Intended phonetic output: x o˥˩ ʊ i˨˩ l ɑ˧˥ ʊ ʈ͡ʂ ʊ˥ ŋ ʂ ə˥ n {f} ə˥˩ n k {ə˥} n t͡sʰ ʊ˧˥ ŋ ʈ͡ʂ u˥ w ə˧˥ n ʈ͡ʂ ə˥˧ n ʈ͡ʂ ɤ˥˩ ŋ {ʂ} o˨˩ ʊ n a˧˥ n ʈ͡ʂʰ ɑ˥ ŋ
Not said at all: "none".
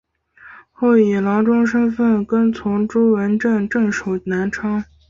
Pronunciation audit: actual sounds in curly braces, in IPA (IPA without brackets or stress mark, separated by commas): f, ə˥, ʂ